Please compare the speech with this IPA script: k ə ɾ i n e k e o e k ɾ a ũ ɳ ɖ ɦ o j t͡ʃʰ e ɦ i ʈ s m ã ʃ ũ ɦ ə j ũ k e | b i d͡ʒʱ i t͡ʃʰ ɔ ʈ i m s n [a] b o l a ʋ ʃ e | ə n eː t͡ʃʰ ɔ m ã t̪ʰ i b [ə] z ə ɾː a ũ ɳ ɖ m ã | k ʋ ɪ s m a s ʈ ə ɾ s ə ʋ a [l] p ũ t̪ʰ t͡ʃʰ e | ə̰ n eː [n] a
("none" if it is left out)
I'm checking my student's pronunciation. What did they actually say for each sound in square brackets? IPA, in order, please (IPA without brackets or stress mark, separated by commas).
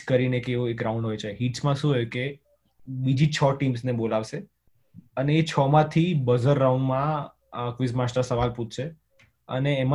e, ə, l, m